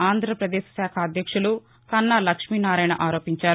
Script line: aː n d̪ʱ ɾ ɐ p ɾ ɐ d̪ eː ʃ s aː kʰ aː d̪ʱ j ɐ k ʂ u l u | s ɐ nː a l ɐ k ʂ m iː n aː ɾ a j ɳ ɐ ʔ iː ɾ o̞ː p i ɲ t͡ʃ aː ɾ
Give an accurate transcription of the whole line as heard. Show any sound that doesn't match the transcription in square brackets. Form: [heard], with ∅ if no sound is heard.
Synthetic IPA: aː n d̪ʱ ɾ ɐ p ɾ ɐ d̪ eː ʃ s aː kʰ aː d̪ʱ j ɐ k ʂ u l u | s ɐ nː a l ɐ k ʂ m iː n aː ɾ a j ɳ ɐ ʔ [aː] ɾ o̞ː p i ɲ t͡ʃ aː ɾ